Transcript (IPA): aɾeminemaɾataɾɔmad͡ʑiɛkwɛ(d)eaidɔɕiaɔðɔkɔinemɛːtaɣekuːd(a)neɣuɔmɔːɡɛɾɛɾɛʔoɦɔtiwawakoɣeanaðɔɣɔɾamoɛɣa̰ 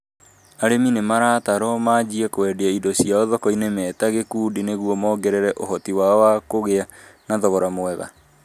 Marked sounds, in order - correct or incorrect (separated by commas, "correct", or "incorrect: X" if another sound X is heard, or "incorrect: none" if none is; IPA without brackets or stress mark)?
correct, incorrect: i